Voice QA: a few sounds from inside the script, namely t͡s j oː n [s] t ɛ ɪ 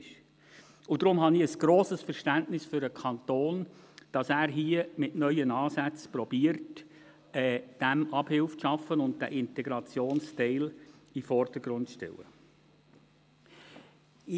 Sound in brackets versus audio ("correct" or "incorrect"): correct